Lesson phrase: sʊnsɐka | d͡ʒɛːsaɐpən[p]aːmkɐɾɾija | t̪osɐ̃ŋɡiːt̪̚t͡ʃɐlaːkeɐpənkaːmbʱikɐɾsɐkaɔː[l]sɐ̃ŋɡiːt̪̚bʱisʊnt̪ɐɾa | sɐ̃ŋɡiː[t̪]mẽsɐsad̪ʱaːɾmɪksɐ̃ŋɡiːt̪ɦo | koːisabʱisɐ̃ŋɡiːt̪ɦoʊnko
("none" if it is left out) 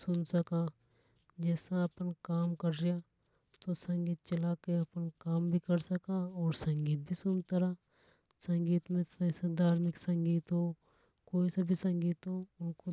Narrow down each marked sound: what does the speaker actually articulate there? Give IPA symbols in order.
k, ɾ, t̪

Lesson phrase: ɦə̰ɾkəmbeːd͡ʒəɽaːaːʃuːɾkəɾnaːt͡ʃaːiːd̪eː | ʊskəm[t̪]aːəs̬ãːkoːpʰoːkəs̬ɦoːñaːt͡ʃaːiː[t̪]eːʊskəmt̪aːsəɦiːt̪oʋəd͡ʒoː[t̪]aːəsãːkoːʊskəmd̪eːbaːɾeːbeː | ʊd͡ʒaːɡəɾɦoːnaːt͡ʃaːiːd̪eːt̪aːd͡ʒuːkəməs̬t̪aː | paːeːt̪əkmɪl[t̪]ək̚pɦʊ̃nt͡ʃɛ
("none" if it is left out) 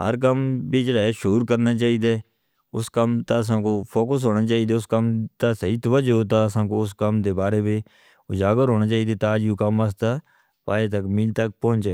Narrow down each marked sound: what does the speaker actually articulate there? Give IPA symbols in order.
t̪, d̪, t̪, t̪

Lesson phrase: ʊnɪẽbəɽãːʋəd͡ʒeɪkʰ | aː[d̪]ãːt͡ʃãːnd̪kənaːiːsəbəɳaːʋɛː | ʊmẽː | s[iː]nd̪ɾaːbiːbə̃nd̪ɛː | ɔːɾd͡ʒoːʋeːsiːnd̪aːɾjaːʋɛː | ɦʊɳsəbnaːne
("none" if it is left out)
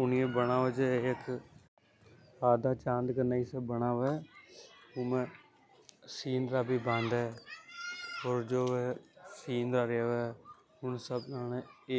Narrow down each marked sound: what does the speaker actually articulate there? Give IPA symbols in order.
d̪, iː

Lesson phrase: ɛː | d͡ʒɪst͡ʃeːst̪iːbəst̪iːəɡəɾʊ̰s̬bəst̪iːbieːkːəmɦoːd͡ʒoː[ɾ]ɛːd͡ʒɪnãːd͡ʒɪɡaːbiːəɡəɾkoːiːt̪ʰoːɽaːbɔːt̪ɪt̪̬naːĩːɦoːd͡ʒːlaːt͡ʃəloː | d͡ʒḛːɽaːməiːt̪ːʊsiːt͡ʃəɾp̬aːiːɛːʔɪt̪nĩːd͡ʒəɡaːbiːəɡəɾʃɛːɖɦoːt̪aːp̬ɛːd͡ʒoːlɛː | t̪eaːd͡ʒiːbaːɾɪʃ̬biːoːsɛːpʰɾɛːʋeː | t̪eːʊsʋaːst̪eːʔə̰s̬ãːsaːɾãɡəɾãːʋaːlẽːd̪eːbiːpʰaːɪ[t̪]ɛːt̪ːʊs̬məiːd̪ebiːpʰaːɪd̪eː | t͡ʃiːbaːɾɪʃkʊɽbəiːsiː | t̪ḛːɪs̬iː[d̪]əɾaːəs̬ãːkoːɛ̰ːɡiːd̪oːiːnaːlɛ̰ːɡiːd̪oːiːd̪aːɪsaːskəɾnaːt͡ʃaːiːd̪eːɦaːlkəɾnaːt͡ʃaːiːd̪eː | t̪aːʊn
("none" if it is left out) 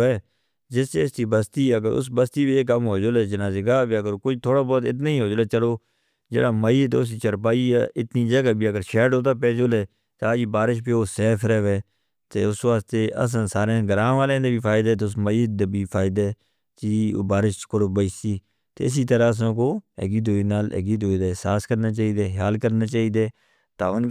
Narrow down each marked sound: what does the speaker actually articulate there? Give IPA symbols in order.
l, d̪, t̪

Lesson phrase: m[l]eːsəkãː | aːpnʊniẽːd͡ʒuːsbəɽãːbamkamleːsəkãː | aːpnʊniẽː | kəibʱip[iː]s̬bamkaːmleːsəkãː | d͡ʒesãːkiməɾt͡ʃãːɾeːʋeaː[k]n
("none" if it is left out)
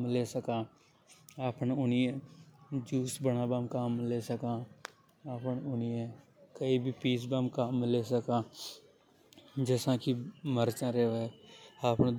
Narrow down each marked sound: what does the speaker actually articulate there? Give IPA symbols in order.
l, iː, p

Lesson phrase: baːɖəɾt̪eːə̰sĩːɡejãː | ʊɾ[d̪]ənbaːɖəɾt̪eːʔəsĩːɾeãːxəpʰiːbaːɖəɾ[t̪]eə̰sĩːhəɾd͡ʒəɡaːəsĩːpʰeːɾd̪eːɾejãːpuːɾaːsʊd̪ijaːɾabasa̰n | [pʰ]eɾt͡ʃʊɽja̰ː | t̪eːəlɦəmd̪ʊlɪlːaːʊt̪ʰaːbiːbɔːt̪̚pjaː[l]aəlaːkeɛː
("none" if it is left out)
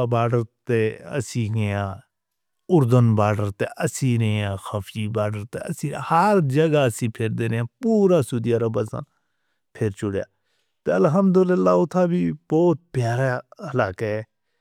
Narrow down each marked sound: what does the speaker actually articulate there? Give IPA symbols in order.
d̪, t̪, pʰ, ɾ

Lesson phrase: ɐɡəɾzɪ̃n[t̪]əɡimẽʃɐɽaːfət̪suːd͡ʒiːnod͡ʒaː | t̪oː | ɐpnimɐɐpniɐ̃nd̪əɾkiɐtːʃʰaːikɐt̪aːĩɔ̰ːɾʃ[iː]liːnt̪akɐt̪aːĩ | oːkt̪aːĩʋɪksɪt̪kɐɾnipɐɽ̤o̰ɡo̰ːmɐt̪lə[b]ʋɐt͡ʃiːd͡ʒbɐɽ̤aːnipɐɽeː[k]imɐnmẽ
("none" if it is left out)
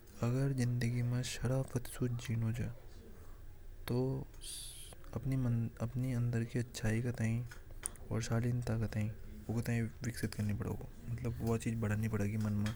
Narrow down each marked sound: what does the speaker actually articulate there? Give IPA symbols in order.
d̪, aː, b, ɡ

